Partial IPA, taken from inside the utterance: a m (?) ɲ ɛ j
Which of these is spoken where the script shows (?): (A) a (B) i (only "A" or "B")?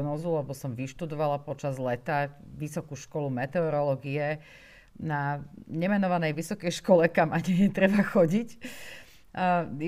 A